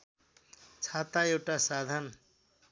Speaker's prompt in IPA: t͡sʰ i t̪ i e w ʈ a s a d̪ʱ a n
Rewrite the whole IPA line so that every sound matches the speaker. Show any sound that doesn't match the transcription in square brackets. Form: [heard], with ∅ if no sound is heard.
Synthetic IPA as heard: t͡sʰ [a] t̪ [a] e w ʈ a s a d̪ʱ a n